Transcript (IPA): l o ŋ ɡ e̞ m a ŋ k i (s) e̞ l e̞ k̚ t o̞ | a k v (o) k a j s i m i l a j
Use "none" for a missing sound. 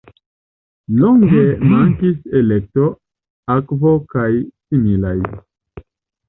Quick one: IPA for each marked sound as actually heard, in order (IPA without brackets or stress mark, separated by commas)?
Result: s, o